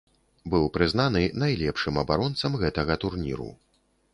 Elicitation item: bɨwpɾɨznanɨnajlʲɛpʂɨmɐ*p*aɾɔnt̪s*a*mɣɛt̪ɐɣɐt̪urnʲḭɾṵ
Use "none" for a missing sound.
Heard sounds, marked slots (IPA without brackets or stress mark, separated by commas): b, ɐ